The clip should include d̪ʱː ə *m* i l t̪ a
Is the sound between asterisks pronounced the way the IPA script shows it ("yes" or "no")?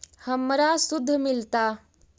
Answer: yes